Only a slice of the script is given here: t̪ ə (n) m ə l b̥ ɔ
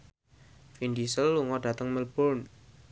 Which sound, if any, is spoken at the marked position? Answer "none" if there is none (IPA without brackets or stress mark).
ŋ